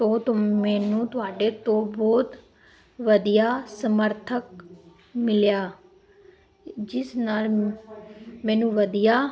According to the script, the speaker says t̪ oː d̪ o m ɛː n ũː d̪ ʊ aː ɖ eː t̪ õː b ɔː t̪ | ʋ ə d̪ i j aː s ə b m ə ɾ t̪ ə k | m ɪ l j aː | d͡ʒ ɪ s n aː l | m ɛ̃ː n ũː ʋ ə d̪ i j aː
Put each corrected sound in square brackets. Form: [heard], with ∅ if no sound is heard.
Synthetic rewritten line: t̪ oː [t̪] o m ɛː n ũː [t̪] ʊ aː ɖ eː t̪ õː b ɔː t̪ | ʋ ə d̪ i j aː s ə [∅] m ə ɾ [t̪ʰ] ə k | m ɪ l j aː | d͡ʒ ɪ s n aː l | m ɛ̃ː n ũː ʋ ə d̪ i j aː

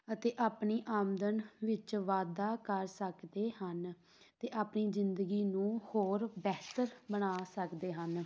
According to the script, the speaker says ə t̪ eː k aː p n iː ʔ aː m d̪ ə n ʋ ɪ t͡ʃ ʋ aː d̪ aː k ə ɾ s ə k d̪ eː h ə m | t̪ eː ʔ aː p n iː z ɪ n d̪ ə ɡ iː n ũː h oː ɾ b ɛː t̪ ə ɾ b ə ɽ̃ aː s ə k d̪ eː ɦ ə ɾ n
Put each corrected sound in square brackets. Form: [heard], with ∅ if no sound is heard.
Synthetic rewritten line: ə t̪ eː [ʔ] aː p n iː ʔ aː m d̪ ə n ʋ ɪ t͡ʃ ʋ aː d̪ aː k ə ɾ s ə k d̪ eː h ə [n] | t̪ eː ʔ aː p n iː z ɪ n d̪ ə ɡ iː n ũː h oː ɾ b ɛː t̪ ə ɾ b ə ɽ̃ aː s ə k d̪ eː ɦ ə [∅] n

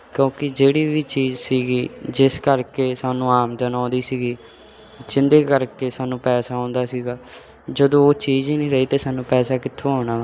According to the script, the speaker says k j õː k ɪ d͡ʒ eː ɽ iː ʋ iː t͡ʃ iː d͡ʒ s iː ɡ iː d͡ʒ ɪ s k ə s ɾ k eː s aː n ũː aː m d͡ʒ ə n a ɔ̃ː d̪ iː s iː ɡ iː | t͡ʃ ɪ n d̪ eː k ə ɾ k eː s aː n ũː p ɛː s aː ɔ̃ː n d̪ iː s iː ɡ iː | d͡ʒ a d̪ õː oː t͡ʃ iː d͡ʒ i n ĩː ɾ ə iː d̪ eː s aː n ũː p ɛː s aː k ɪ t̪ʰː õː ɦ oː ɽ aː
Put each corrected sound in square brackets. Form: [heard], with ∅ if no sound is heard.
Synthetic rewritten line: k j õː k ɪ d͡ʒ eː ɽ iː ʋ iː t͡ʃ iː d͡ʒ s iː ɡ iː d͡ʒ ɪ s k ə [∅] ɾ k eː s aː n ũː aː m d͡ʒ ə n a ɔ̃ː d̪ iː s iː ɡ iː | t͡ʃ ɪ n d̪ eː k ə ɾ k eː s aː n ũː p ɛː s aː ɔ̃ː n d̪ [aː] s iː ɡ [aː] | d͡ʒ [ə] d̪ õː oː t͡ʃ iː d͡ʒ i n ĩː ɾ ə iː [t̪] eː s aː n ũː p ɛː s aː k ɪ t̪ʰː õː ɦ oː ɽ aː

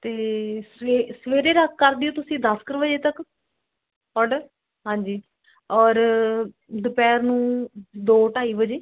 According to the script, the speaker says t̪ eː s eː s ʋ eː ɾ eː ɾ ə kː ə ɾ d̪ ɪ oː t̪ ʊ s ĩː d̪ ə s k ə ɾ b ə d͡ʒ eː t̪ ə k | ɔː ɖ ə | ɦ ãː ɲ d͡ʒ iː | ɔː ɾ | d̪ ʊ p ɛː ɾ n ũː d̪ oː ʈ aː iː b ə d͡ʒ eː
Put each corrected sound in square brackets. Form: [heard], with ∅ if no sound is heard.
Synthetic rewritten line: t̪ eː s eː s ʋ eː ɾ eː ɾ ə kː ə ɾ d̪ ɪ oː t̪ ʊ s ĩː d̪ ə s k ə ɾ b ə d͡ʒ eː t̪ ə k | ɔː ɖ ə | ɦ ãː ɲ d͡ʒ iː | ɔː ɾ | d̪ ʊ p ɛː ɾ n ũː d̪ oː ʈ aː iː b ə d͡ʒ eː

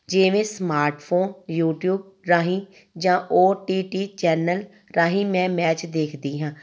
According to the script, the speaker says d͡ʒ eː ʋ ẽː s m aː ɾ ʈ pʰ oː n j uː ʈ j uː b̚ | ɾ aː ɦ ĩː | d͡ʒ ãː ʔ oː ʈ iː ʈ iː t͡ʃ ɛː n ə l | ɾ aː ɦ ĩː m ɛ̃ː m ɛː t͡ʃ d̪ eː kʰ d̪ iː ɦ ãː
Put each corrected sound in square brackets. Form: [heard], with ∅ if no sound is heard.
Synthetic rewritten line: d͡ʒ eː ʋ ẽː s m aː ɾ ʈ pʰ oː n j uː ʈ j uː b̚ | ɾ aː ɦ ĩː | d͡ʒ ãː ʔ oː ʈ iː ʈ iː t͡ʃ ɛː n ə l | ɾ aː ɦ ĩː m ɛ̃ː m ɛː t͡ʃ d̪ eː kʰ d̪ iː ɦ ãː

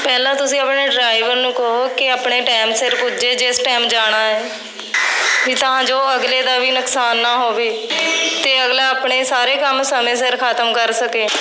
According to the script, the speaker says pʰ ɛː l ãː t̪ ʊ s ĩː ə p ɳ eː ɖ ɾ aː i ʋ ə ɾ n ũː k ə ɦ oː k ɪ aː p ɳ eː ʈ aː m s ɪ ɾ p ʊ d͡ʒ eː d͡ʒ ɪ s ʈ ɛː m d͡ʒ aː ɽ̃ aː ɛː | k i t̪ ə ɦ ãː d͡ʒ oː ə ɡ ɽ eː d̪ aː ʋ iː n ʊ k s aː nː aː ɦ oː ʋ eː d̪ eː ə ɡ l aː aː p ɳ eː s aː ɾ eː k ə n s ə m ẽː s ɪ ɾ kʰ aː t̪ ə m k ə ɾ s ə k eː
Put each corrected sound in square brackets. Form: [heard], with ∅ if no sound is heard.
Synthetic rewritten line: [p] ɛː l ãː t̪ ʊ s ĩː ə p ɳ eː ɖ ɾ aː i ʋ ə ɾ n ũː k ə ɦ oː k ɪ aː p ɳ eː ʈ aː m s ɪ ɾ p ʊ d͡ʒ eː d͡ʒ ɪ s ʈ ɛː m d͡ʒ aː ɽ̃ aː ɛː | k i t̪ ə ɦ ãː d͡ʒ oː ə ɡ [l] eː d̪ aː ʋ iː n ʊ k s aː nː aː ɦ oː ʋ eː [t̪] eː ə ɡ l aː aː p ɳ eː s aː ɾ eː k ə [m] s ə m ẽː s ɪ ɾ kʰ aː t̪ ə m k ə ɾ s ə k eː

